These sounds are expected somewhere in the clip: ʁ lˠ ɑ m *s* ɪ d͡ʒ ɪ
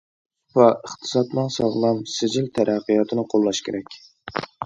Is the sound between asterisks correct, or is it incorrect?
correct